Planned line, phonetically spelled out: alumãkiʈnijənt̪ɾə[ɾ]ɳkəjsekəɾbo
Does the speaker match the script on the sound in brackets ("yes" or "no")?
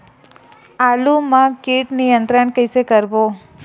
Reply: no